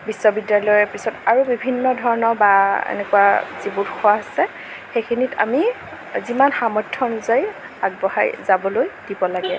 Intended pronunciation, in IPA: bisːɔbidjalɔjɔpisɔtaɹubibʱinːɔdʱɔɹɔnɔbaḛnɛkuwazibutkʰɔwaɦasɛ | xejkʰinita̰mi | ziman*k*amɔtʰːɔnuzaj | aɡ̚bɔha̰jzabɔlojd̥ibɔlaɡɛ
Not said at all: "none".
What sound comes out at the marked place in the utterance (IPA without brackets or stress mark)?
x